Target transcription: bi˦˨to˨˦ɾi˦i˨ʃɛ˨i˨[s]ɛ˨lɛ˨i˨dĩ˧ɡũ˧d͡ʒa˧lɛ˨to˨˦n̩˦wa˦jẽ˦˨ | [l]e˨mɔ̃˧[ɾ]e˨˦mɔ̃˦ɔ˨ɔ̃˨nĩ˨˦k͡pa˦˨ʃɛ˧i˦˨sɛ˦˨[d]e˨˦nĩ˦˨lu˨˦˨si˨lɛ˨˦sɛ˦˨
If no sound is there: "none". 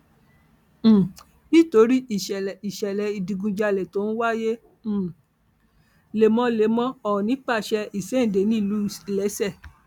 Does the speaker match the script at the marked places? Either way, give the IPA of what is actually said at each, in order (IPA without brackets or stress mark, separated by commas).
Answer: ʃ, l, l, d